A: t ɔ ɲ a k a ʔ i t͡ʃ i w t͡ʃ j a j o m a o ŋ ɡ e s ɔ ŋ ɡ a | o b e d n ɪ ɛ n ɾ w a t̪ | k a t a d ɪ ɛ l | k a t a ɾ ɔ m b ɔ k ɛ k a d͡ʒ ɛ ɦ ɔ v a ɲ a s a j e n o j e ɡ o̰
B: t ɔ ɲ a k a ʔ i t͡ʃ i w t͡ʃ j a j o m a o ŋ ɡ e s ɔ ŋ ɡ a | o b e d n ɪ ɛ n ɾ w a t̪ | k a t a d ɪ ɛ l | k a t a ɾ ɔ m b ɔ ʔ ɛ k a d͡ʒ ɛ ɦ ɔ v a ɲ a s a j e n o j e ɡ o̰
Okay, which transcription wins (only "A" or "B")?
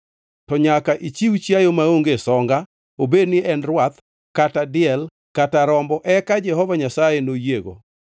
B